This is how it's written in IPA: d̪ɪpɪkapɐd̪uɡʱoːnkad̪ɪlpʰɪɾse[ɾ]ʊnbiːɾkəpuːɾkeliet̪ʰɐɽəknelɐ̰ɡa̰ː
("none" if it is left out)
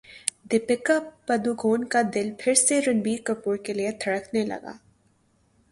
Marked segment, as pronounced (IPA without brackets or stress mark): ɾ